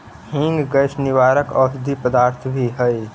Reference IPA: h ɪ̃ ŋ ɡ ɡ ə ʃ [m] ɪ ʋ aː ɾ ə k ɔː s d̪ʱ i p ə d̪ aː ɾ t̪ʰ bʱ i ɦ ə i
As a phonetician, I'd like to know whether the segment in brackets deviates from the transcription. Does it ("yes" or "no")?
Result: yes